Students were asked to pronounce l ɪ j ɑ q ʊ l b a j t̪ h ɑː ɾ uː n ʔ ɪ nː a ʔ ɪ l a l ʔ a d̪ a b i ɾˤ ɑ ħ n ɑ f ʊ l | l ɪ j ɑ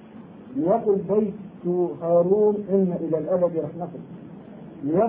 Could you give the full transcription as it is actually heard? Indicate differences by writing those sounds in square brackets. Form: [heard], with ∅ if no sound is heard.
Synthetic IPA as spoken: l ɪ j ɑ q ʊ l b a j t̪ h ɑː ɾ uː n ʔ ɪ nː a ʔ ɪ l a l ʔ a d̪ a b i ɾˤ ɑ ħ n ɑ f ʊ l | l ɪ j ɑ